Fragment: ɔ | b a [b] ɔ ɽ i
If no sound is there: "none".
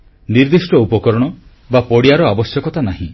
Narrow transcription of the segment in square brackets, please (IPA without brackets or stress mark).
p